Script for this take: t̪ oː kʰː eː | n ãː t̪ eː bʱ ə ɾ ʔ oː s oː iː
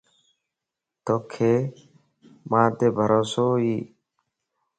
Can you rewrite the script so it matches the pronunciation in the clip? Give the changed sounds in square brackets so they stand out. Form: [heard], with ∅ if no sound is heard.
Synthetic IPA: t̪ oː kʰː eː | [m] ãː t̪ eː bʱ ə ɾ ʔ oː s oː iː